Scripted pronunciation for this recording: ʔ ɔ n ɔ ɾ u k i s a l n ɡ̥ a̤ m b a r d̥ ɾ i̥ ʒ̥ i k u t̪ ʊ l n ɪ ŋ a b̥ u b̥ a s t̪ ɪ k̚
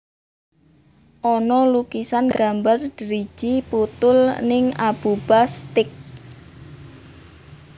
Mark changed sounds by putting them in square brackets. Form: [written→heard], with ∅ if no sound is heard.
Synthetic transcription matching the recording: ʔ ɔ n ɔ [ɾ→l] u k i s a [l→∅] n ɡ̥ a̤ m b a r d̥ ɾ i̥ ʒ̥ i [k→p] u t̪ ʊ l n ɪ ŋ a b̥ u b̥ a s t̪ ɪ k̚